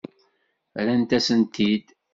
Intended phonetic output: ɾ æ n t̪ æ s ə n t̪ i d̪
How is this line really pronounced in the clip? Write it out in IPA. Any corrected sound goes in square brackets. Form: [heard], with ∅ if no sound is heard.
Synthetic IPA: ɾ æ n t̪ æ s ə n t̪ i d̪